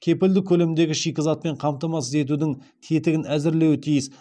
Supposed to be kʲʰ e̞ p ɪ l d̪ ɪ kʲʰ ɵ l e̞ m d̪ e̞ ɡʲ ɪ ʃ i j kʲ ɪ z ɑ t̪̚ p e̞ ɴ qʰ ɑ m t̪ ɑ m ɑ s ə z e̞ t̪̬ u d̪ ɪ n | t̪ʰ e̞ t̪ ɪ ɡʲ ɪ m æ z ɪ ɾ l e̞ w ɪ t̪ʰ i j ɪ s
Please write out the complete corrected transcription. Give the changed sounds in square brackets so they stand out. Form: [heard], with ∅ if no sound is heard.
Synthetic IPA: kʲʰ e̞ p ɪ l d̪ ɪ kʲʰ ɵ l e̞ m d̪ e̞ ɡʲ ɪ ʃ i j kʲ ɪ z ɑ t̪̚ p e̞ ɴ qʰ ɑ m t̪ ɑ m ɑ s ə z e̞ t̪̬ u d̪ ɪ [ŋ] | t̪ʰ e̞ t̪ ɪ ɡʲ ɪ [n] æ z ɪ ɾ l e̞ w ɪ t̪ʰ i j ɪ s